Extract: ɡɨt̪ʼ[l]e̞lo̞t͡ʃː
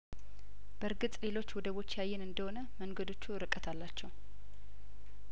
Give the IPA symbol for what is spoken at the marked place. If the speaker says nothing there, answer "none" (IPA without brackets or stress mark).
l